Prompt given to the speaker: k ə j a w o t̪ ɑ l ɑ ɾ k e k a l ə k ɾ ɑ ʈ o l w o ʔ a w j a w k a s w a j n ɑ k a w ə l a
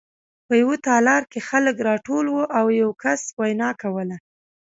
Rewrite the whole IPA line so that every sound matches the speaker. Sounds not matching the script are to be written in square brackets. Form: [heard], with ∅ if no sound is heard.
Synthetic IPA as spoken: [p] ə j a w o t̪ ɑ l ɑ ɾ k e [x] a l ə k ɾ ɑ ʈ o l w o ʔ a w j a w k a s w a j n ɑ k a w ə l a